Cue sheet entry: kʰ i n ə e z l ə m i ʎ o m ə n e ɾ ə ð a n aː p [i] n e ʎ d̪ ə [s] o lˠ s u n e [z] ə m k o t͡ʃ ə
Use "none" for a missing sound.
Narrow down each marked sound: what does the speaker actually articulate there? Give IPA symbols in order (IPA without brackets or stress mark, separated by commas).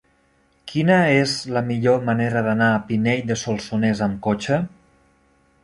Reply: i, s, z